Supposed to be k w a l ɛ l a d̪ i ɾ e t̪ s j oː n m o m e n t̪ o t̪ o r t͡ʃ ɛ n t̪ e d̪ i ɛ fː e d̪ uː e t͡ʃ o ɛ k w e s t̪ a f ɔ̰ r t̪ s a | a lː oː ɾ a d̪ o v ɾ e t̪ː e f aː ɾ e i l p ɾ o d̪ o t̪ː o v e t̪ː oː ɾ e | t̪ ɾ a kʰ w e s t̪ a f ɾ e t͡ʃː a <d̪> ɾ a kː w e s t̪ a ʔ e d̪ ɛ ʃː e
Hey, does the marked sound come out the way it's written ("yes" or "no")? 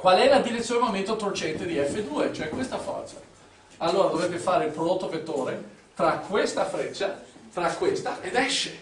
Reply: no